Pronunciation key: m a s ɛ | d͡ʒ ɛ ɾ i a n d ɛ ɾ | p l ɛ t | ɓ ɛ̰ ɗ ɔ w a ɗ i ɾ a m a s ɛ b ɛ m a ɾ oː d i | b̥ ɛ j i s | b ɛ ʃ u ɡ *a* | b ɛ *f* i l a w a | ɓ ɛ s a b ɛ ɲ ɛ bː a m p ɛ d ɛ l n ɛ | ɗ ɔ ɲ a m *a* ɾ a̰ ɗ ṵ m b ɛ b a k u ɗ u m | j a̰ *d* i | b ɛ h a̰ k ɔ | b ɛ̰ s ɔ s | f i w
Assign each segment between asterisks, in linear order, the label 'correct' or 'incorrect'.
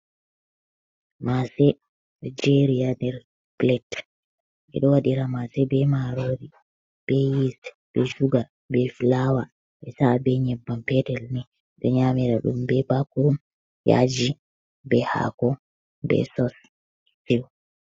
correct, correct, incorrect, incorrect

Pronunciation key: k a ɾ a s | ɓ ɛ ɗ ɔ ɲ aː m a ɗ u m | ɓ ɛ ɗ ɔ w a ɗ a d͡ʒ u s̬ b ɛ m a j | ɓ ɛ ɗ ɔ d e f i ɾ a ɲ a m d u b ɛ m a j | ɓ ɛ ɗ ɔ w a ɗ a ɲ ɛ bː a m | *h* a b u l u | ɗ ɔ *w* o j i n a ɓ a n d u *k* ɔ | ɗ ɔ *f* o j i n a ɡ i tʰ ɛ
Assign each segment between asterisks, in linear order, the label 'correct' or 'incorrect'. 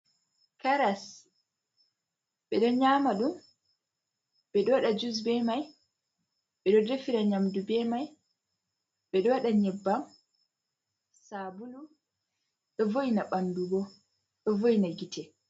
incorrect, incorrect, incorrect, incorrect

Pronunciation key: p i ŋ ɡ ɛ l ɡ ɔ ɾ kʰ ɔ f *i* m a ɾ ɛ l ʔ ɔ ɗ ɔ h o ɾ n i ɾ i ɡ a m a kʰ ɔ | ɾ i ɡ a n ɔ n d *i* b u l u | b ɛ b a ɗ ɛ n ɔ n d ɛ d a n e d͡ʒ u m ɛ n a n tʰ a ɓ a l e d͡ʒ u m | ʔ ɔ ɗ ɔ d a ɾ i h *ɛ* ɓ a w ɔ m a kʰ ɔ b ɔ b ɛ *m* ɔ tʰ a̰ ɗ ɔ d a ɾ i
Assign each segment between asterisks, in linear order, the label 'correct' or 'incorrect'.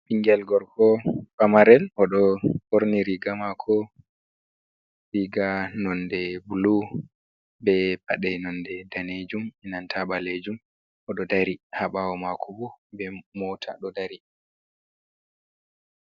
incorrect, incorrect, incorrect, correct

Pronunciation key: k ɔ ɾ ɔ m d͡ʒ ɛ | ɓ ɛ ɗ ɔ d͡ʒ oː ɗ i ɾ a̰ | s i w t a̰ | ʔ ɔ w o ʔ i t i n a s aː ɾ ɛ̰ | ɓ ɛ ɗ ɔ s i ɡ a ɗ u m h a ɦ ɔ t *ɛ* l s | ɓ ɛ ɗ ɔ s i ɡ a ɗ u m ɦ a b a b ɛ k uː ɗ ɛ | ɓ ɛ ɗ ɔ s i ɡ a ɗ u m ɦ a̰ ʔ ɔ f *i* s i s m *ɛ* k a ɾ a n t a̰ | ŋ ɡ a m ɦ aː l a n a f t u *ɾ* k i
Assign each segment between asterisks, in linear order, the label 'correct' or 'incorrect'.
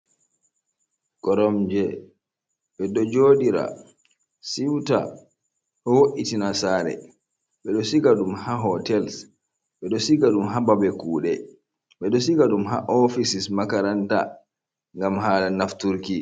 correct, correct, incorrect, correct

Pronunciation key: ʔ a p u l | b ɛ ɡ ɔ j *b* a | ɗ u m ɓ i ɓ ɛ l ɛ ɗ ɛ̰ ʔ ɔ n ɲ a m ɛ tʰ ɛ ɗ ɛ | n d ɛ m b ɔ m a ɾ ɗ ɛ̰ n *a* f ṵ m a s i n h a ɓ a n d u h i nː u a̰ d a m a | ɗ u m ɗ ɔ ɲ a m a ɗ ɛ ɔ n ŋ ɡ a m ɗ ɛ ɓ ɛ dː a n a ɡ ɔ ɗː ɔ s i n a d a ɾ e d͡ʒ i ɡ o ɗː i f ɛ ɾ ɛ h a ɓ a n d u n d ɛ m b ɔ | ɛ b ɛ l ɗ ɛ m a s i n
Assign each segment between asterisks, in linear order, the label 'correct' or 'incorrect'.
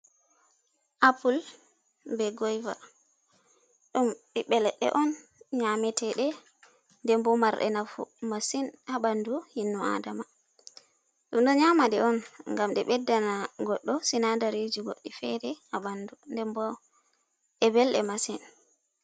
incorrect, correct

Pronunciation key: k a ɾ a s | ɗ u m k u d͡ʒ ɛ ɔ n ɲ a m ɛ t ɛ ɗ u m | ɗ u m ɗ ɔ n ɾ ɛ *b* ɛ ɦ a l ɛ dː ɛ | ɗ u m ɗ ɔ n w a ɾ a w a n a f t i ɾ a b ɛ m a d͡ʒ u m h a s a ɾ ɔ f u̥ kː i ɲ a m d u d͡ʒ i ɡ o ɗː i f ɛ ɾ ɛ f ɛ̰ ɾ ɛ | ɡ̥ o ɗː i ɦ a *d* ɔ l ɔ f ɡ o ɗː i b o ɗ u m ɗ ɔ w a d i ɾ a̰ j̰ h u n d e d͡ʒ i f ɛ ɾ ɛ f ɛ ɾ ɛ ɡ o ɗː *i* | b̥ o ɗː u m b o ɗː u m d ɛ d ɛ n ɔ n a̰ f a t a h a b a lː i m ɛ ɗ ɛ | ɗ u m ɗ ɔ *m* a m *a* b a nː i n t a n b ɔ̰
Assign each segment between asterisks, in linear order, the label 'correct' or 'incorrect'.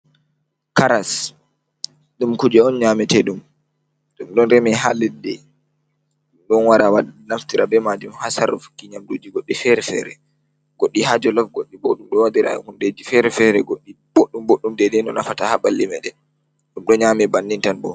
incorrect, incorrect, correct, incorrect, incorrect

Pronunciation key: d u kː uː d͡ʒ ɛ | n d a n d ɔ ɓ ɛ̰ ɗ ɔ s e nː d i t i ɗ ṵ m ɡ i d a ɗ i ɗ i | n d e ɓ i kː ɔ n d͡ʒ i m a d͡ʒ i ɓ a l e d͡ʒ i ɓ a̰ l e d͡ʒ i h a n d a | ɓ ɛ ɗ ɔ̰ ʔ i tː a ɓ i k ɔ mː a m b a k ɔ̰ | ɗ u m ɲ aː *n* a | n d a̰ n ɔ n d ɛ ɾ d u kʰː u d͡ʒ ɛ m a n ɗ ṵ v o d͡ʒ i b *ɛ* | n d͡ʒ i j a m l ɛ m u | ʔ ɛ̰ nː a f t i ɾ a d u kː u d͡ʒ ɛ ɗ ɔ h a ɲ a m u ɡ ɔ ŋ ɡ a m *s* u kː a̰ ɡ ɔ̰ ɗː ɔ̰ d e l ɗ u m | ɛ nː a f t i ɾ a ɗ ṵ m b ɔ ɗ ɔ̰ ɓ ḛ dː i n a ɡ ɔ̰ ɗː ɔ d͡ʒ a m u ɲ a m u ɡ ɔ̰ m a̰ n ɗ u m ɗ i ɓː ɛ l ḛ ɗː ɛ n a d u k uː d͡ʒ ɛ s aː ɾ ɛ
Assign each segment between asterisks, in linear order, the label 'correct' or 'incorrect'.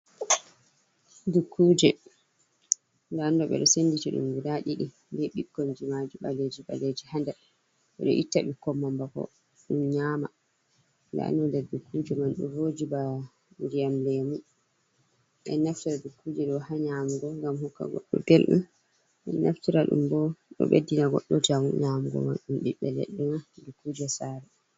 incorrect, incorrect, incorrect

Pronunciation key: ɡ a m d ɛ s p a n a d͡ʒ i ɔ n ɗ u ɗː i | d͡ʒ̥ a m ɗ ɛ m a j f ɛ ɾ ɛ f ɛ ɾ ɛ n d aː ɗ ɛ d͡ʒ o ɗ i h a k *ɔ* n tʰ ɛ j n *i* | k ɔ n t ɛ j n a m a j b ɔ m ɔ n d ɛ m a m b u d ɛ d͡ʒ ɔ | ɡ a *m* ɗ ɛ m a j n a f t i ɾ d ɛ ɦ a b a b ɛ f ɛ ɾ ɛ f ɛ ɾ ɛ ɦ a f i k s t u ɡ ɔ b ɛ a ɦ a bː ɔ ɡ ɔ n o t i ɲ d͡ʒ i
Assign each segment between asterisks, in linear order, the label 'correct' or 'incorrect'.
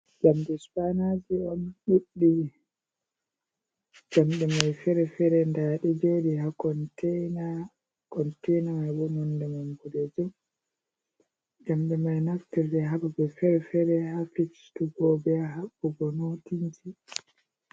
correct, incorrect, correct

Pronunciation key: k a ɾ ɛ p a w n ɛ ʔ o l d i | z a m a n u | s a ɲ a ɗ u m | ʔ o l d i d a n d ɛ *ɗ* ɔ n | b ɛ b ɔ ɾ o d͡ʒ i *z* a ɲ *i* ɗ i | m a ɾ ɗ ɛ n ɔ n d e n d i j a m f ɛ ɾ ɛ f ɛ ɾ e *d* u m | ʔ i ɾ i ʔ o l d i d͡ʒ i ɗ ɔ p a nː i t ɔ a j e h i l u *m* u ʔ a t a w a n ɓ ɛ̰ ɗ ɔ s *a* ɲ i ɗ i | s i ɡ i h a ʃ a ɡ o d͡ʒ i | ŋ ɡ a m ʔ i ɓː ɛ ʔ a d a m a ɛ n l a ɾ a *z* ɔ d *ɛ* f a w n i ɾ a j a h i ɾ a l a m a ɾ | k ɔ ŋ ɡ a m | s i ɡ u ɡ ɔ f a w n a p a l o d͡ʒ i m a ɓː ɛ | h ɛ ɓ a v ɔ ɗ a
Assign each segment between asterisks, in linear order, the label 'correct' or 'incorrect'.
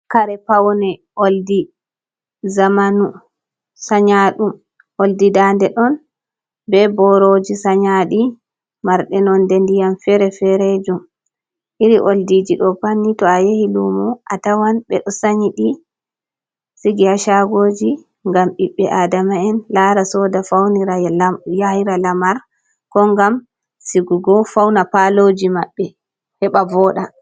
correct, incorrect, incorrect, incorrect, correct, correct, incorrect, incorrect

